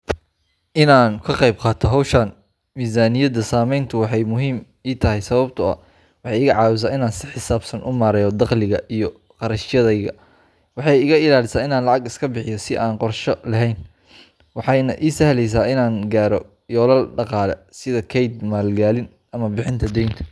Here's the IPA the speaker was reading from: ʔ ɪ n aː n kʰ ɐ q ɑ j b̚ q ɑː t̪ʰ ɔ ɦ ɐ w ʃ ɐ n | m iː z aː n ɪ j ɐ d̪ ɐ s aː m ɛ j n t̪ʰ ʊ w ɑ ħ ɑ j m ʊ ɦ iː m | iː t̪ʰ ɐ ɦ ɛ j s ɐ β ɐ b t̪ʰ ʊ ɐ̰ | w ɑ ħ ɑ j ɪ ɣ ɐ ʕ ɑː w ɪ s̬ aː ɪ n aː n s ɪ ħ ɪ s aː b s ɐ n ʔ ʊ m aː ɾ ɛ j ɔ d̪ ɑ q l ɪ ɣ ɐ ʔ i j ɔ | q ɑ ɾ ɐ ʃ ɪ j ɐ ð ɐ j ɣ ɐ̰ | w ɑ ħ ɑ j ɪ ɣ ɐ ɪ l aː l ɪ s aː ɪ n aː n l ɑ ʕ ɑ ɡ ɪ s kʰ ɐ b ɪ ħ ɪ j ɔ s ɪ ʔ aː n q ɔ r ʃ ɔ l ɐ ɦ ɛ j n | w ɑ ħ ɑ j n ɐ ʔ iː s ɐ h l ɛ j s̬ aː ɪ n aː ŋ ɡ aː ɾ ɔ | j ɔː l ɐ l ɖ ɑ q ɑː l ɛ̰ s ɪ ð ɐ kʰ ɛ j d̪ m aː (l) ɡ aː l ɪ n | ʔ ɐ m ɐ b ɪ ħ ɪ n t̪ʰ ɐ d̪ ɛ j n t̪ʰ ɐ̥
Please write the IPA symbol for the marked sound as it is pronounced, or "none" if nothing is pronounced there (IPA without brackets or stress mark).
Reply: l